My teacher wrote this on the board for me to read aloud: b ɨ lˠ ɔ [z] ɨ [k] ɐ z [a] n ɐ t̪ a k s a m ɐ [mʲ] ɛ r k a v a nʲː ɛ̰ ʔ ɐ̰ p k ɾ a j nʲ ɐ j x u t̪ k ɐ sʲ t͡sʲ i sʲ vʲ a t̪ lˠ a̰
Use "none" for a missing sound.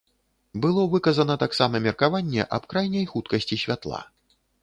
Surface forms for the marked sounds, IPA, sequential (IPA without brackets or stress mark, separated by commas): v, k, ɐ, mʲ